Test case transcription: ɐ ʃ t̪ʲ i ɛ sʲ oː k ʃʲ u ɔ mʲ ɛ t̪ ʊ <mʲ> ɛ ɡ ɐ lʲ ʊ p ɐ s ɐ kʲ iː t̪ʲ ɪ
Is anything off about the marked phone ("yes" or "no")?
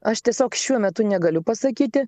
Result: yes